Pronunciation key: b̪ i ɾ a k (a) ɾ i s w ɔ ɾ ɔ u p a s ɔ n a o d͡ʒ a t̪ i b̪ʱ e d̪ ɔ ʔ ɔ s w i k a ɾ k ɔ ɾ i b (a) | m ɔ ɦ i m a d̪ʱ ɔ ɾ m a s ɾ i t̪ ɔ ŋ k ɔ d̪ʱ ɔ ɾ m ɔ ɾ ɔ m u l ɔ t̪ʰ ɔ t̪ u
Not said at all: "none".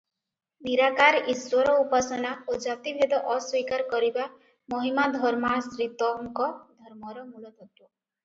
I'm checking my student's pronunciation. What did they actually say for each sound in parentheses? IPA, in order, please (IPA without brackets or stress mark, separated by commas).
a, a